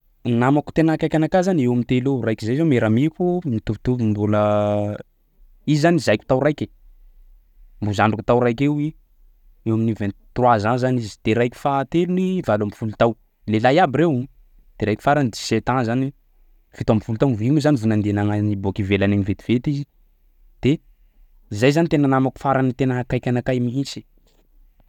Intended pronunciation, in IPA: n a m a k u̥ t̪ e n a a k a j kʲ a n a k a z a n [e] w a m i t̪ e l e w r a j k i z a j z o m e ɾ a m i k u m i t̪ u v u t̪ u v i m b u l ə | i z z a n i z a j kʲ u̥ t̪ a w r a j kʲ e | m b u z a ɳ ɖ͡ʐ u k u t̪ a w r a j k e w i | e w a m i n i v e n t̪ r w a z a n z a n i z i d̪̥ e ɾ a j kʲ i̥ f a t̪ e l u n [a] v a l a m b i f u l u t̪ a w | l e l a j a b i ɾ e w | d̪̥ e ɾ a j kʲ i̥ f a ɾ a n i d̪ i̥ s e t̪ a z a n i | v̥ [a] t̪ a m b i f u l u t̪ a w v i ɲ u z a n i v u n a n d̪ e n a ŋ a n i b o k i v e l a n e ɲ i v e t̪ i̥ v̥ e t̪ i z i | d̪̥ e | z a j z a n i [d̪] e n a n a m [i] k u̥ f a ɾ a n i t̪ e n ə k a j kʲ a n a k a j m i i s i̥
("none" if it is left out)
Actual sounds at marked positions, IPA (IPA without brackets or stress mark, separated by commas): e, i, i, t̪, a